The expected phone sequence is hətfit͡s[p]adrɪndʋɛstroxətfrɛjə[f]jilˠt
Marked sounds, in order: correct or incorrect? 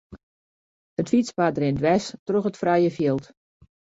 correct, correct

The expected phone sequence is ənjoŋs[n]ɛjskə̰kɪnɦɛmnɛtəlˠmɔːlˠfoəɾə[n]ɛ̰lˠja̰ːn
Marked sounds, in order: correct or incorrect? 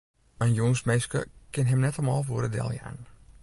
incorrect, incorrect

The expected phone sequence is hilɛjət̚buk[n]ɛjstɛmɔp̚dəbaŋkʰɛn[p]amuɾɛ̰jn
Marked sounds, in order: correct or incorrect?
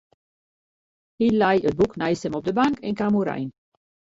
correct, incorrect

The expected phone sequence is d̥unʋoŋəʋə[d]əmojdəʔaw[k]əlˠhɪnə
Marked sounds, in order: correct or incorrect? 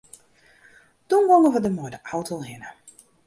correct, incorrect

